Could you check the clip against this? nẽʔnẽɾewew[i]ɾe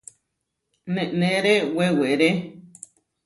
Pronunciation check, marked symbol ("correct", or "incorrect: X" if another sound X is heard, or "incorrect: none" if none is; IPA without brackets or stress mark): incorrect: e